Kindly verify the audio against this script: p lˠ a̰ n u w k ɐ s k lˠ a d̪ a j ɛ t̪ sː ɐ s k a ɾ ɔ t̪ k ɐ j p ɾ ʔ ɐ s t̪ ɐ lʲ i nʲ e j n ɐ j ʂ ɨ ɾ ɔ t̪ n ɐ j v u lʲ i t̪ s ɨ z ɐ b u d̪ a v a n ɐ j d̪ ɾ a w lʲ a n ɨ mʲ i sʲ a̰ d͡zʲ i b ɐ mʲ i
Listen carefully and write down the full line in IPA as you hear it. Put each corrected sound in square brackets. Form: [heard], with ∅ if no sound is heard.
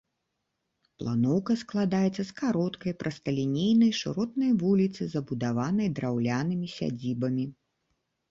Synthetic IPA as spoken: p lˠ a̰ n [ɔ] w k ɐ s k lˠ a d̪ a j ɛ t̪ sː ɐ s k a ɾ ɔ t̪ k ɐ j p ɾ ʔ ɐ s t̪ ɐ lʲ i nʲ e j n ɐ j ʂ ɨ ɾ ɔ t̪ n ɐ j v u lʲ i t̪ s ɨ z ɐ b u d̪ a v a n ɐ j d̪ ɾ a w lʲ a n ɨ mʲ i sʲ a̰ d͡zʲ i b ɐ mʲ i